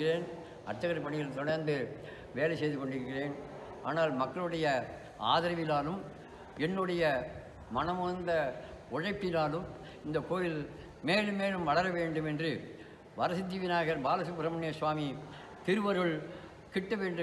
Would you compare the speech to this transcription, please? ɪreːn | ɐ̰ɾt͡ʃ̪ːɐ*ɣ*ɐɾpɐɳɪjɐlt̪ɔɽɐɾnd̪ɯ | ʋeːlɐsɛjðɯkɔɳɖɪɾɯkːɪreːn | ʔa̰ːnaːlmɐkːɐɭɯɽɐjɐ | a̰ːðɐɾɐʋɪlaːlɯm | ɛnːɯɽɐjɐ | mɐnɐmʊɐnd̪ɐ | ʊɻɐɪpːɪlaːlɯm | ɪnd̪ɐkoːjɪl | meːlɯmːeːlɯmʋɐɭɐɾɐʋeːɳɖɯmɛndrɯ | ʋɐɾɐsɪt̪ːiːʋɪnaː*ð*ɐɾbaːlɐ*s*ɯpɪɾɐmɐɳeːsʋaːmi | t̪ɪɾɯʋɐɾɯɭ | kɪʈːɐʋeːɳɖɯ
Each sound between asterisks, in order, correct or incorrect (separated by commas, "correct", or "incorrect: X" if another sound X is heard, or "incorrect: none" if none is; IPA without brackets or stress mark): correct, incorrect: ɣ, correct